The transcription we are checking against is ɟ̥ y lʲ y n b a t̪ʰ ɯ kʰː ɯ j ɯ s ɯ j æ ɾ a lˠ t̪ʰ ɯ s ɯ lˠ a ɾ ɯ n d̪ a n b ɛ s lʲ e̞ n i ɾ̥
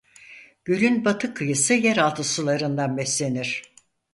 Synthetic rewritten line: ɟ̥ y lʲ y n b a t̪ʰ ɯ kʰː ɯ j ɯ s ɯ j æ ɾ a lˠ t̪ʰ ɯ s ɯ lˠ a ɾ ɯ n d̪ a n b ɛ s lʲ e̞ n i ɾ̥